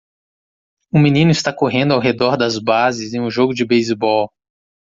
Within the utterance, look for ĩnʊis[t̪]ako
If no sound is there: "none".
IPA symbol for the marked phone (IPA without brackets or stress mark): t̪